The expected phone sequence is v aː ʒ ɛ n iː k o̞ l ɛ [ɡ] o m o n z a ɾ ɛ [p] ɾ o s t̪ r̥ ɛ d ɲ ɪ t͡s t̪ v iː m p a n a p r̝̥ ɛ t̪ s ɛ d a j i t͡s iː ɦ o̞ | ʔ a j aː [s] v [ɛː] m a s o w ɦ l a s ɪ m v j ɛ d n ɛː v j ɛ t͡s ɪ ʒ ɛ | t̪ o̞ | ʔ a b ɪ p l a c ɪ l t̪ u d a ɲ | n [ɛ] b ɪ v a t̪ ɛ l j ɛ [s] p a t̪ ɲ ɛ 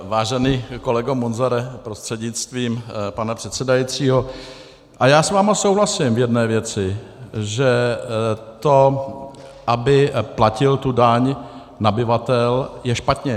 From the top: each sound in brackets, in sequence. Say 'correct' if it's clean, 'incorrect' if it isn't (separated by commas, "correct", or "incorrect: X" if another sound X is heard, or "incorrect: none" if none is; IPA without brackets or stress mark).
correct, correct, correct, incorrect: aː, incorrect: a, incorrect: ʃ